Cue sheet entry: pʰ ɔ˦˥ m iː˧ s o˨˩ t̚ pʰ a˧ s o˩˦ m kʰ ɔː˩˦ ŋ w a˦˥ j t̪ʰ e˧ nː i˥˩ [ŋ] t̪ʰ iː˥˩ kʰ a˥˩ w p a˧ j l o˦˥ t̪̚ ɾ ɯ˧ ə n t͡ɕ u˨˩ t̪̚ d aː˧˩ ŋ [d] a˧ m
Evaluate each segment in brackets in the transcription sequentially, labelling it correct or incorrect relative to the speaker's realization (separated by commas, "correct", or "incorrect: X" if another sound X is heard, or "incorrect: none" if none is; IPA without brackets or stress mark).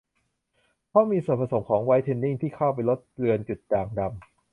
correct, correct